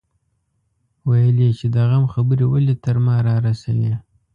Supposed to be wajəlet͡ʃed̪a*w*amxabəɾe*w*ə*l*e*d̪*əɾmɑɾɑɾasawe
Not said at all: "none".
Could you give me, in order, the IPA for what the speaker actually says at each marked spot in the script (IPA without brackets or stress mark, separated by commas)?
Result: ɣ, w, l, t̪